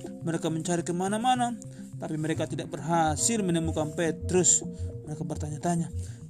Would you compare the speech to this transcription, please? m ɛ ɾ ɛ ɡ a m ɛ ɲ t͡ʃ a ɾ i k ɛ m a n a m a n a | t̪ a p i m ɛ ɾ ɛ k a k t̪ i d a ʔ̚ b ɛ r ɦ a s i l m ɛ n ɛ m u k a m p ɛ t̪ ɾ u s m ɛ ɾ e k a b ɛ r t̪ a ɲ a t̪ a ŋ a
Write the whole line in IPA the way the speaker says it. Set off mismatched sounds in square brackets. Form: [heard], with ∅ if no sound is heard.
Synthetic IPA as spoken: m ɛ ɾ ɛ [k] a m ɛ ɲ t͡ʃ a ɾ i k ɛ m a n a m a n a | t̪ a p i m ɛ ɾ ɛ k a [∅] t̪ i d a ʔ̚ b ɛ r ɦ a s i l m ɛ n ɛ m u k a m p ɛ t̪ ɾ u s m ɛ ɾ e k a b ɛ r t̪ a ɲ a t̪ a [ɲ] a